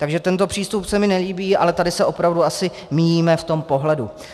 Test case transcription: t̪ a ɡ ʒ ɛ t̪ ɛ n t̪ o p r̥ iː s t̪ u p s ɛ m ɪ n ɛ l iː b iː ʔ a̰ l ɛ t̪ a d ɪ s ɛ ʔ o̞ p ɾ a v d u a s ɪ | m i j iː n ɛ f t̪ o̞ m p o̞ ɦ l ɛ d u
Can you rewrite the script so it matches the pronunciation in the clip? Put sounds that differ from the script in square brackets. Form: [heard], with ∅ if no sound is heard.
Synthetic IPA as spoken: t̪ a ɡ ʒ ɛ t̪ ɛ n t̪ o p r̥ iː s t̪ u p s ɛ m ɪ n ɛ l iː b iː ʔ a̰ l ɛ t̪ a d ɪ s ɛ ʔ o̞ p ɾ a v d u a s ɪ | m i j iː [m] ɛ f t̪ o̞ m p o̞ ɦ l ɛ d u